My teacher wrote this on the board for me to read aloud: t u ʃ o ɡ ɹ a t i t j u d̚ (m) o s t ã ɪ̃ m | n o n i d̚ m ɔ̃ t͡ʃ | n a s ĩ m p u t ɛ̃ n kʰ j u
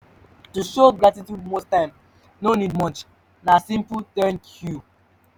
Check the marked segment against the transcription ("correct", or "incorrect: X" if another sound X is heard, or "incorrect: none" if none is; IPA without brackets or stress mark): correct